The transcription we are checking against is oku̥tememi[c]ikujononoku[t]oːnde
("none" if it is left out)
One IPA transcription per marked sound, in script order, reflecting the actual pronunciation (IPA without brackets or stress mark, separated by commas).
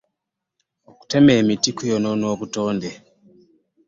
t, t